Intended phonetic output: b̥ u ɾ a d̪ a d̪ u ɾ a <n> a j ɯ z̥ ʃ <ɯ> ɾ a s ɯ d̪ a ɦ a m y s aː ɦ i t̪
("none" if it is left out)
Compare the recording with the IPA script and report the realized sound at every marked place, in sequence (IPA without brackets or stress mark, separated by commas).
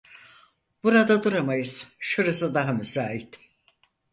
m, u